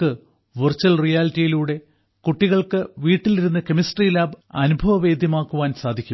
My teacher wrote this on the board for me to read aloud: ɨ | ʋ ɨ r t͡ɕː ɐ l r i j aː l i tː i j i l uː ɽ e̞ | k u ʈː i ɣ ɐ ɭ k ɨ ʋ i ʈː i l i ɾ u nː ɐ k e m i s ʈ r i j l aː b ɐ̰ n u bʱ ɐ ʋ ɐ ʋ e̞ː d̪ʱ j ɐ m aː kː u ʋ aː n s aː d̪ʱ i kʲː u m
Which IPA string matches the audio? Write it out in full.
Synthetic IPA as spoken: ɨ | ʋ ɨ r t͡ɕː ɐ l r i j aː l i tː i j i l uː ɽ e̞ | k u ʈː i ɣ ɐ ɭ k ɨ ʋ iː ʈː i l i ɾ u nː ɐ k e m i s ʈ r i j l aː b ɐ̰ n u bʱ ɐ ʋ ɐ ʋ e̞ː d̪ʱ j ɐ m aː kː u ʋ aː n s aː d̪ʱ i kʲː u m